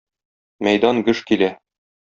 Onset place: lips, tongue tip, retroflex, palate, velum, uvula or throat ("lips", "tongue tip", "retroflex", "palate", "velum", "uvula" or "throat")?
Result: lips